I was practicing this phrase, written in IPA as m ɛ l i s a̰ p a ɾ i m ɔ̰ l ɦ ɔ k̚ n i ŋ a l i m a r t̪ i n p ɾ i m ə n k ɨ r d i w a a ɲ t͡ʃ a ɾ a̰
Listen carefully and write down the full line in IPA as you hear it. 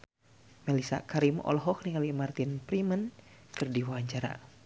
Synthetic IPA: m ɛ l i s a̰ k a ɾ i m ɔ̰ l ɦ ɔ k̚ n i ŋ a l i m a r t̪ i n p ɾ i m ə n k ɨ r d i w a a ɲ t͡ʃ a ɾ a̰